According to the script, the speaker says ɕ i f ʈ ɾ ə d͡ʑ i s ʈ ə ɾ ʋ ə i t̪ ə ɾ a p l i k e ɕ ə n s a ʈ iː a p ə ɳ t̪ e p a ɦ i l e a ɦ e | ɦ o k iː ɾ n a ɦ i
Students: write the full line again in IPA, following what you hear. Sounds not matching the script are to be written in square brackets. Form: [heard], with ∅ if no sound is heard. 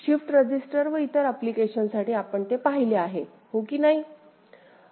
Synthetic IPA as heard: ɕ i f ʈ ɾ ə d͡ʑ i s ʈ ə ɾ ʋ ə i t̪ ə ɾ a p l i k e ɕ ə n s a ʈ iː a p ə ɳ t̪ e p a ɦ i l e a ɦ e | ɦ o k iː [∅] n a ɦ i

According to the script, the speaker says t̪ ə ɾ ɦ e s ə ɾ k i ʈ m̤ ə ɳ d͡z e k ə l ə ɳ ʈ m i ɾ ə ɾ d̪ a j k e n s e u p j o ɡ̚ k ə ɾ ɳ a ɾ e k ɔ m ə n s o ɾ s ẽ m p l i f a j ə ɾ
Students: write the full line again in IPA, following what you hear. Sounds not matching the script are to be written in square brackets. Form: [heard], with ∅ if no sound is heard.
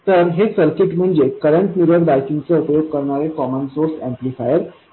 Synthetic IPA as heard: t̪ ə ɾ ɦ e s ə ɾ k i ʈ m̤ ə ɳ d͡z e k ə [ɾ] ə ɳ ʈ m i ɾ ə ɾ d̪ a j k [i] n [t͡s] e u p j o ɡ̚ k ə ɾ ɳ a ɾ e k ɔ m ə n s o ɾ s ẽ m p l i f a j ə ɾ

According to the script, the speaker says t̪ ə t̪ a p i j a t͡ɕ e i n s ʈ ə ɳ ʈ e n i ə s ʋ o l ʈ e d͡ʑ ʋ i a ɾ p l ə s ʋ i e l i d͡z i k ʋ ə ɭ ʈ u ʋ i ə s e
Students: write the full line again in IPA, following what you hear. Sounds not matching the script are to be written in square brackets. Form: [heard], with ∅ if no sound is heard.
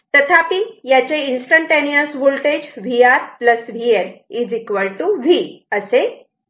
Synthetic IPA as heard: t̪ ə [t̪ʰ] a p i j a t͡ɕ e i n s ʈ ə ɳ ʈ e n i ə s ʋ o l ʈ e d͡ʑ ʋ i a ɾ p l ə s ʋ i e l i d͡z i k ʋ ə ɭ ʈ u ʋ i ə s e

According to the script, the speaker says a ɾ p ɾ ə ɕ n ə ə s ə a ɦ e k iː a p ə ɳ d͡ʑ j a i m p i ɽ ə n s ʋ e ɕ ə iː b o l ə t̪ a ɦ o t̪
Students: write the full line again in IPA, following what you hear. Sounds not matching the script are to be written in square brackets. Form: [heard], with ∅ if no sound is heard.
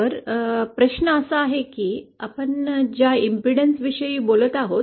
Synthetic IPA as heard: [ə] ɾ p ɾ ə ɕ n ə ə s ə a ɦ e k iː a p ə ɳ d͡ʑ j a i m p i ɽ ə n s ʋ [i] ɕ ə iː b o l ə t̪ a ɦ o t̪

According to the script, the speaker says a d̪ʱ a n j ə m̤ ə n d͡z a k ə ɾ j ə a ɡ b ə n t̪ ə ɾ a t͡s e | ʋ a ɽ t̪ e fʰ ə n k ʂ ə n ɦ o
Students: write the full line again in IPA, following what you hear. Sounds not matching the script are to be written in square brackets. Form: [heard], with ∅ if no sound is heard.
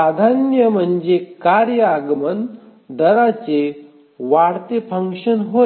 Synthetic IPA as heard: a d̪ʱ a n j ə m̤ ə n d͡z [e] k [a] ɾ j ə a ɡ [m] ə n [d̪] ə ɾ a t͡s e | ʋ a ɽ t̪ e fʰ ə [ŋ] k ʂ ə n ɦ o

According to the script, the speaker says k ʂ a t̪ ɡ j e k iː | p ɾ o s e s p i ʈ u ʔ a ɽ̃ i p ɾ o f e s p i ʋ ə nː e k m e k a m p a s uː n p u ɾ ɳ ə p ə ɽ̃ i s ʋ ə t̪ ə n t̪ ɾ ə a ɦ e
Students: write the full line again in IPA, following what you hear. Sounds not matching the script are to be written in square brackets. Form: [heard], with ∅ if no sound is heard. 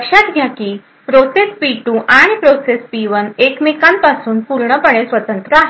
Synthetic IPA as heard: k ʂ a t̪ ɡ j [a] k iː | p ɾ o s e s p i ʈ u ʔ a ɽ̃ i p ɾ o [s] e s p i ʋ ə [n] e k m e k a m p a s uː n p u ɾ ɳ ə p ə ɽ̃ [e] s ʋ ə t̪ ə n t̪ ɾ ə a ɦ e

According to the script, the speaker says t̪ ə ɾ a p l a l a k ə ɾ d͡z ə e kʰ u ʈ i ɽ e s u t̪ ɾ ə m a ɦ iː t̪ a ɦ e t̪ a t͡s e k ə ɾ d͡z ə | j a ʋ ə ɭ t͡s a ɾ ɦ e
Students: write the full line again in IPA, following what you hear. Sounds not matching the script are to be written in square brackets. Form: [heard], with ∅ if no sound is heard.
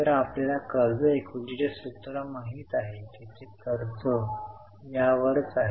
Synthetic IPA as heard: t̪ ə ɾ a p l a l a k ə ɾ d͡z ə e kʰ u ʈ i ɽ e s u t̪ ɾ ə m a ɦ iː t̪ a ɦ e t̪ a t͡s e k ə ɾ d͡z ə | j a ʋ ə [ɾ] t͡s a [∅] ɦ e

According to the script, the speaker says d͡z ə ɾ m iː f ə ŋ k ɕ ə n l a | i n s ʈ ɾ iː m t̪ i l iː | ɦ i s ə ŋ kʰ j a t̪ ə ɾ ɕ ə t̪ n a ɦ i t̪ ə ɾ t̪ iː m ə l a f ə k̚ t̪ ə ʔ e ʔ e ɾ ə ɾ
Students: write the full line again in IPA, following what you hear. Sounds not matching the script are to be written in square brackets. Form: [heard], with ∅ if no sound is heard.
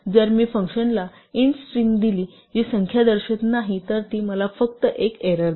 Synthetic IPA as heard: d͡z ə ɾ m iː f ə ŋ k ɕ ə n l a | i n s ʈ ɾ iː m [d̪] i l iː | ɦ i s ə ŋ kʰ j a [d̪] ə ɾ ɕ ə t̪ n a ɦ i t̪ ə ɾ t̪ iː m ə l a f ə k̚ t̪ ə ʔ e [k] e ɾ ə ɾ

